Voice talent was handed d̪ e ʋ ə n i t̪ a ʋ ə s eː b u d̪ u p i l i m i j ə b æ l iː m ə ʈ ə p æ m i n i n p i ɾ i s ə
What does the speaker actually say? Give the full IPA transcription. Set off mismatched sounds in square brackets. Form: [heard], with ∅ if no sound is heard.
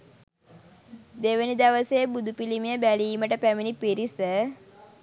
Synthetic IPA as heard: d̪ e ʋ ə n i [d̪] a ʋ ə s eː b u d̪ u p i l i m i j ə b æ l iː m ə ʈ ə p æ m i n i [∅] p i ɾ i s ə